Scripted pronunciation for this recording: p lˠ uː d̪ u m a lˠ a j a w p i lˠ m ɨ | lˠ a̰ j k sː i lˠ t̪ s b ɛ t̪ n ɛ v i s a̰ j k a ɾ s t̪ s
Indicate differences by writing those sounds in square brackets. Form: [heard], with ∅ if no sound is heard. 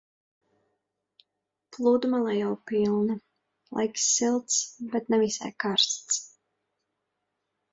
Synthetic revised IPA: p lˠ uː d̪ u m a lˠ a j a w p i lˠ [n] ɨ | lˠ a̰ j k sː i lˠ t̪ s b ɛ t̪ n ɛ v i s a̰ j k a ɾ s t̪ s